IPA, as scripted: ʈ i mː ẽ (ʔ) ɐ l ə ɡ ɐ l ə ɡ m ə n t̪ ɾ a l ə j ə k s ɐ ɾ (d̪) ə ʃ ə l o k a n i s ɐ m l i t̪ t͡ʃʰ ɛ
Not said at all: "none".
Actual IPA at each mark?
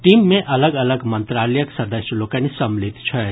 ʔ, d̪

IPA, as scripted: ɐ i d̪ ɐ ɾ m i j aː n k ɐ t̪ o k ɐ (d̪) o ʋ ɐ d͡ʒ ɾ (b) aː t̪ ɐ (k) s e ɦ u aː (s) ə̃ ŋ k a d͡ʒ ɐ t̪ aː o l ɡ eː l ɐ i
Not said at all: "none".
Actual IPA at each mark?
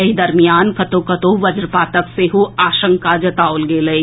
t̪, p, k, ʃ

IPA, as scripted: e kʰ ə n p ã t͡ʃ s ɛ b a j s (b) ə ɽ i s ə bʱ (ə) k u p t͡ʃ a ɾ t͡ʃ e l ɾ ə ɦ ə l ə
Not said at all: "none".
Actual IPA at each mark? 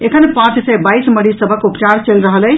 m, ə

